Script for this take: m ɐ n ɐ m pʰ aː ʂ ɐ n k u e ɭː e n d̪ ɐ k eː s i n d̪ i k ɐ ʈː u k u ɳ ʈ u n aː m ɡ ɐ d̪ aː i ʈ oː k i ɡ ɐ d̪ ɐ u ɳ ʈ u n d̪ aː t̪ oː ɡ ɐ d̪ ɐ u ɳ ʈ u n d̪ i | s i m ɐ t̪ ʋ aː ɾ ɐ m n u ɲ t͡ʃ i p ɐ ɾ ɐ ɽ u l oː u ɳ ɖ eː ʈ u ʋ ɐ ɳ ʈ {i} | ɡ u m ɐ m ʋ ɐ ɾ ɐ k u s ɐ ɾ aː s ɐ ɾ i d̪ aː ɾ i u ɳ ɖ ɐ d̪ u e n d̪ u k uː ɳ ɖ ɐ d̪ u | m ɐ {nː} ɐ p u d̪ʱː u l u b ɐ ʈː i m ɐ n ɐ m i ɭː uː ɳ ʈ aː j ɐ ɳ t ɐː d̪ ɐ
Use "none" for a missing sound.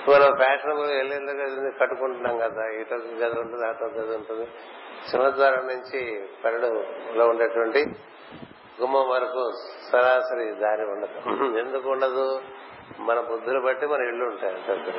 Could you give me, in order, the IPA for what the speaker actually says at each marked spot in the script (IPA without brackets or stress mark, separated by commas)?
i, n